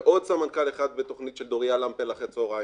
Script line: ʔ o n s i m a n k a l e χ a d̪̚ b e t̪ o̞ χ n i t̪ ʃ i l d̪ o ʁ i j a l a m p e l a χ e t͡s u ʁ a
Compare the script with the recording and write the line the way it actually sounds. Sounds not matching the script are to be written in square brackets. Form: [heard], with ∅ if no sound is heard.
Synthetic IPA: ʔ o [d] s [a] m a n k a l e χ a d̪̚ b e t̪ o̞ χ n i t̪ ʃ [e] l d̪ o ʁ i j a l a m p e l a χ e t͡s [o] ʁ a